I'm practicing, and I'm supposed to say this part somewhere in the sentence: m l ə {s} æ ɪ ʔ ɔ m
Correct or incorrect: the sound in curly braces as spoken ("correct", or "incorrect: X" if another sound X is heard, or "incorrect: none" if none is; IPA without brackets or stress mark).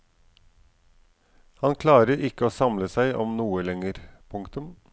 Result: correct